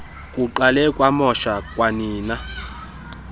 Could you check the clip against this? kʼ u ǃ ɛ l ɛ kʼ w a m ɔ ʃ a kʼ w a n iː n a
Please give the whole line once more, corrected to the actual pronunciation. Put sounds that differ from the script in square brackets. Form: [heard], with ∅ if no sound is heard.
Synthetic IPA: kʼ u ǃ [a] l ɛ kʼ w a m ɔ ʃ a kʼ w a n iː n a